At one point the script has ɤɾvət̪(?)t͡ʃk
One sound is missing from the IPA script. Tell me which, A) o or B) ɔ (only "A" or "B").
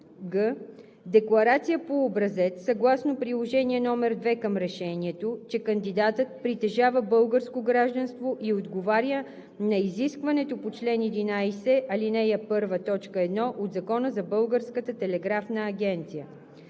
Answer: B